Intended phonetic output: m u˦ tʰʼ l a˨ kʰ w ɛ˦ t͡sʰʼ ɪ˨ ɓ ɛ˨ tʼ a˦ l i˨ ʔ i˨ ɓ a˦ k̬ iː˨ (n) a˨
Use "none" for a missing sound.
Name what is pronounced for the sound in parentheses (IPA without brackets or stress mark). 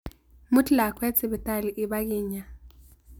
ɲ